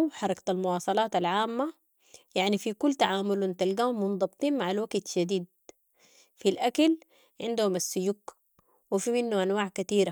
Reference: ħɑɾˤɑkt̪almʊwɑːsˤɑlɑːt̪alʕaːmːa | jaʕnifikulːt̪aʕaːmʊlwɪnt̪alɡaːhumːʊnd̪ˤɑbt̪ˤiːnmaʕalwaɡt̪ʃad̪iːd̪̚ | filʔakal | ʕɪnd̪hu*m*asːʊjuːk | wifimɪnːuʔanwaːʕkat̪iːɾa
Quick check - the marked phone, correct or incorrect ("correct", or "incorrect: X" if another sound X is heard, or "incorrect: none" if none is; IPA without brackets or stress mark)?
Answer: correct